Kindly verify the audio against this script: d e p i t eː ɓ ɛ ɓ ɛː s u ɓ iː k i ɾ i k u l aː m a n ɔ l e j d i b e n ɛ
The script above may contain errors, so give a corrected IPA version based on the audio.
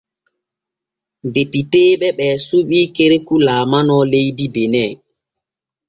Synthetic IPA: d e p i t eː ɓ ɛ ɓ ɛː s u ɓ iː k e ɾ e k u l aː m a n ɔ l e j d i b e n ɛ